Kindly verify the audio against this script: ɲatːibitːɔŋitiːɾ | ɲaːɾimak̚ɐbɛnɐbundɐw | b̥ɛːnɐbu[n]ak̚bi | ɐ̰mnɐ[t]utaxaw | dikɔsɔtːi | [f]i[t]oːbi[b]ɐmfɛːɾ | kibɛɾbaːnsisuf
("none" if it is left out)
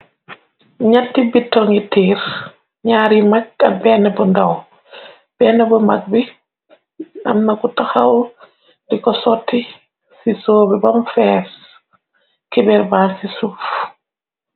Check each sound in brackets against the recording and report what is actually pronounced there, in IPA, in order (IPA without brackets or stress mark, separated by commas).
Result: m, k, s, s, b